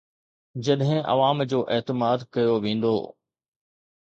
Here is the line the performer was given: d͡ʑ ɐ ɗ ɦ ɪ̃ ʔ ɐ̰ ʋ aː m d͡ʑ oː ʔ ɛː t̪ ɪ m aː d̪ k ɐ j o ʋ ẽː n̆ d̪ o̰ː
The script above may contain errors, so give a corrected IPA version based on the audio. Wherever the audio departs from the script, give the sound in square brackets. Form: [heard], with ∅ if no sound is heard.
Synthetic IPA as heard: d͡ʑ ɐ ɗ ɦ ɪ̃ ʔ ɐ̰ ʋ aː m d͡ʑ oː ʔ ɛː t̪ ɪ m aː d̪ k ɐ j o ʋ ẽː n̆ d̪ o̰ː